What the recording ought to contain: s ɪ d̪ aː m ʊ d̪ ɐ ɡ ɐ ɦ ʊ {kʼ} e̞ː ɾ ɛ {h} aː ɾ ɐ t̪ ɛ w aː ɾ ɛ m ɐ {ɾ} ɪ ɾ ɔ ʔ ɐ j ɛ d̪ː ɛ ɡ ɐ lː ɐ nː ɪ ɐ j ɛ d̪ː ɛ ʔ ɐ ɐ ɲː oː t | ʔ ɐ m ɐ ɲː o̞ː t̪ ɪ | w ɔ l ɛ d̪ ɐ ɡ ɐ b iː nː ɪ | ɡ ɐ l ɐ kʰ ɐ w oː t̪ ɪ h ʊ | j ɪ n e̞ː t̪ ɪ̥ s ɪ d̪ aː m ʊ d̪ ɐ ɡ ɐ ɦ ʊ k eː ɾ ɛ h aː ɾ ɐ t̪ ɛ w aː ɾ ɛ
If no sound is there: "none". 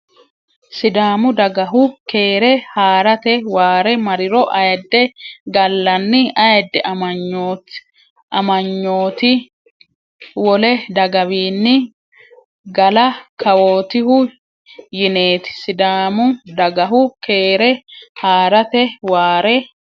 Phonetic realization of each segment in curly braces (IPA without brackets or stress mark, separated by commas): k, h, ɾ